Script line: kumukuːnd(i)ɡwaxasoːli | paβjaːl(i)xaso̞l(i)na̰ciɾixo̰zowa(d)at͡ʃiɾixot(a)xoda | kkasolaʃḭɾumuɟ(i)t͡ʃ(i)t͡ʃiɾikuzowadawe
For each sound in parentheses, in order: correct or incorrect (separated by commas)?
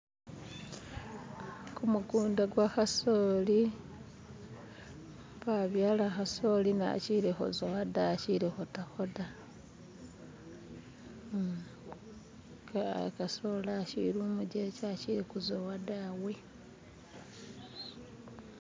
incorrect, incorrect, correct, correct, correct, incorrect, incorrect